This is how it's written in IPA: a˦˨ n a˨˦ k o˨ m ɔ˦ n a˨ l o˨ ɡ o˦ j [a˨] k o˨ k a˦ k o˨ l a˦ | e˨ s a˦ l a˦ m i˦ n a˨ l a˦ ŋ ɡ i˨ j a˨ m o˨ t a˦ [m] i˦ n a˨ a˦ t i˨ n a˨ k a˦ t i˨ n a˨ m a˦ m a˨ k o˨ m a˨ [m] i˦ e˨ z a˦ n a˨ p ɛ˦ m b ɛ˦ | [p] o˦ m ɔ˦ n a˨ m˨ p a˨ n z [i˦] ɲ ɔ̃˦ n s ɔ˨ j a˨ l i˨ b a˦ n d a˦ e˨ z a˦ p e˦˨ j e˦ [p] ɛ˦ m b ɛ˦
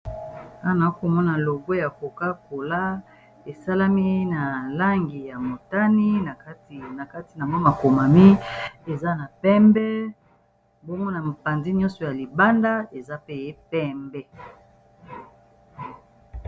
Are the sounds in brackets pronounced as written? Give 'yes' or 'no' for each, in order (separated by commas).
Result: yes, no, yes, no, yes, yes